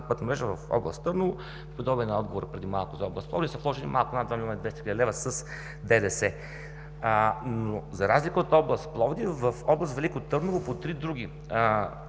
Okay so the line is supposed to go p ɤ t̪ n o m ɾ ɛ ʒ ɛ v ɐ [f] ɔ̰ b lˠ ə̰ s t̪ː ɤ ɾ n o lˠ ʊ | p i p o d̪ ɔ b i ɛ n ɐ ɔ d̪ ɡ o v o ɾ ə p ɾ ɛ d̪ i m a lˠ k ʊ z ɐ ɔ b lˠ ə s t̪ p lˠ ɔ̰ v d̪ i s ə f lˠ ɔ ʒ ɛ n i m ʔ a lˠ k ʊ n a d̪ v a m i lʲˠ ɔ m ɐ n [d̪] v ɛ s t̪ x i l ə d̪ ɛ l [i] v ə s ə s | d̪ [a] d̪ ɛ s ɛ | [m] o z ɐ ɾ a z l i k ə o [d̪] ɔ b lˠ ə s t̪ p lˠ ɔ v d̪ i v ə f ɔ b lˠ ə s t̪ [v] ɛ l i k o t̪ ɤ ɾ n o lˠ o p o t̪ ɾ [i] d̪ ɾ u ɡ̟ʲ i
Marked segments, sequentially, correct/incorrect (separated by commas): correct, correct, incorrect, incorrect, incorrect, incorrect, correct, correct